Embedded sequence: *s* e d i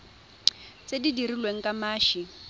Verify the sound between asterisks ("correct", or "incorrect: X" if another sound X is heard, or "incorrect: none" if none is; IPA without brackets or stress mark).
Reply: incorrect: t͡s